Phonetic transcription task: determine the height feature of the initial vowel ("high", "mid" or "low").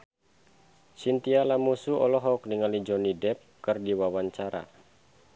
high